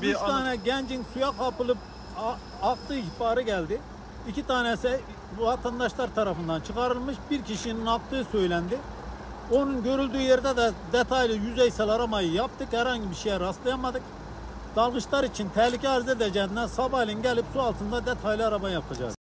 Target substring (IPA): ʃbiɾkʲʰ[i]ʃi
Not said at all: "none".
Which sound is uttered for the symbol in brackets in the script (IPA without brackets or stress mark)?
i